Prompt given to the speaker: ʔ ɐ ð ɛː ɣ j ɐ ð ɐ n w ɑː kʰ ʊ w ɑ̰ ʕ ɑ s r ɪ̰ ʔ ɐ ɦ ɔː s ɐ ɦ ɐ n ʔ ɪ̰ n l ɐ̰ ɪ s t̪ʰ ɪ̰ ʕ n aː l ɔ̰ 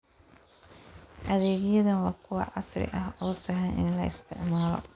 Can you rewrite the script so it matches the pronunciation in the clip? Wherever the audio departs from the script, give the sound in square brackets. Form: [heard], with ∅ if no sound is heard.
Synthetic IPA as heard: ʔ ɐ ð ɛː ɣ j ɐ ð ɐ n w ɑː kʰ ʊ w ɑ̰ ʕ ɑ s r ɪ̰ ʔ ɐ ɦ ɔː s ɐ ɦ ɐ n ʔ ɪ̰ n l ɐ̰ ɪ s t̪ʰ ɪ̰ ʕ [m] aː l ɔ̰

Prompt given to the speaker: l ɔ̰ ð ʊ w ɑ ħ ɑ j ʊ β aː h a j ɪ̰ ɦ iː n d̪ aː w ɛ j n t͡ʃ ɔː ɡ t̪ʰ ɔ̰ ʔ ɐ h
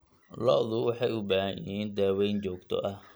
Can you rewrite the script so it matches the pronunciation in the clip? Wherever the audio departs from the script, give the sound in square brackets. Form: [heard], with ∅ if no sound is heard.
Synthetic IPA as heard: l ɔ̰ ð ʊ w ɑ ħ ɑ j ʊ [b] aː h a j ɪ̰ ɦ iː n d̪ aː w ɛ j n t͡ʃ ɔː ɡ t̪ʰ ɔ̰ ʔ ɐ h

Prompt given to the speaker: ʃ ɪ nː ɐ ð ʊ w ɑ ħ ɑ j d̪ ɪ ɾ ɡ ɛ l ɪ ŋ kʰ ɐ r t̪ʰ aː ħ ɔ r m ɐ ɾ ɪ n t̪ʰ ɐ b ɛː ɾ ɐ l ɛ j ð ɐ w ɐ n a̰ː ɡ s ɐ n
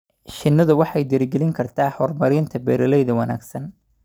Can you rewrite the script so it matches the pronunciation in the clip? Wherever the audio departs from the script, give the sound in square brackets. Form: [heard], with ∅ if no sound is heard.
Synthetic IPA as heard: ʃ ɪ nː ɐ ð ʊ w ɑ ħ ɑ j d̪ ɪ ɾ ɡ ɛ l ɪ ŋ kʰ ɐ r t̪ʰ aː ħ ɔ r m ɐ ɾ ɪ n t̪ʰ ɐ b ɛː ɾ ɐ l ɛ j ð ɐ w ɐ n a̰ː ɡ s ɐ n

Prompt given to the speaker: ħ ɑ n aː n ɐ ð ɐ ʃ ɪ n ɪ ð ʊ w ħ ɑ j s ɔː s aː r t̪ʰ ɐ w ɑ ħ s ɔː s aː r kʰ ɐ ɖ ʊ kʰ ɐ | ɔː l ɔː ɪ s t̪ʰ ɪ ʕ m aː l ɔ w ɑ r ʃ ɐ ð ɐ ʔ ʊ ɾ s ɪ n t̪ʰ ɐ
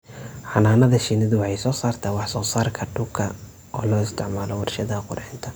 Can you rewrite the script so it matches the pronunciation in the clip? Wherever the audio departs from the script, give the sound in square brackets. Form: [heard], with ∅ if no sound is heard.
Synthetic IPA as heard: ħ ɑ n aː n ɐ ð ɐ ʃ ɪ n ɪ ð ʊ w ħ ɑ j s ɔː s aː r t̪ʰ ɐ w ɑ ħ s ɔː s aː r kʰ ɐ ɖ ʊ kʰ ɐ | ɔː l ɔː ɪ s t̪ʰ ɪ ʕ m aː l ɔ w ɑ r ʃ ɐ ð ɐ [q] ʊ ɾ [ħ] ɪ n t̪ʰ ɐ

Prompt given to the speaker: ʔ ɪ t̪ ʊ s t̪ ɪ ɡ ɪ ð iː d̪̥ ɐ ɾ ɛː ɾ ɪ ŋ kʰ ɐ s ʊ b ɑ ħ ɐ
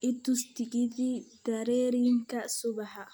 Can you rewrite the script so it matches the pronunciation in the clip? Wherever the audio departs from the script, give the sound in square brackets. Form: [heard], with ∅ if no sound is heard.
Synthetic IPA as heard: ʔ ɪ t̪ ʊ s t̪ ɪ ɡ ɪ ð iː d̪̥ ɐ ɾ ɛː ɾ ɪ ŋ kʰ ɐ s ʊ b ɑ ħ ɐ

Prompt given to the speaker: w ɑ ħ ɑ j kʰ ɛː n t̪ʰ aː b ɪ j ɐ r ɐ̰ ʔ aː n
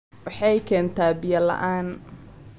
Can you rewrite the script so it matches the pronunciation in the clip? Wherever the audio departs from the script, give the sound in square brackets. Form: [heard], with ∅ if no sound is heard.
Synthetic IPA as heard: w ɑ ħ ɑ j kʰ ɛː n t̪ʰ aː b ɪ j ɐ [l] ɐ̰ ʔ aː n

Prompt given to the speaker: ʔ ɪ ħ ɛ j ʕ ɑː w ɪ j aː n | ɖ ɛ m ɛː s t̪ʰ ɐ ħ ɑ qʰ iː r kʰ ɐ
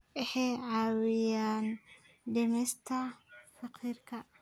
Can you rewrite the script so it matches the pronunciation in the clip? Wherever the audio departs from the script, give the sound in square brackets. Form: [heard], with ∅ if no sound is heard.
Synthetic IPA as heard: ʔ ɪ ħ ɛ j ʕ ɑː w ɪ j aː n | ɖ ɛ m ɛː s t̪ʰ ɐ [f] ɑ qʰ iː r kʰ ɐ

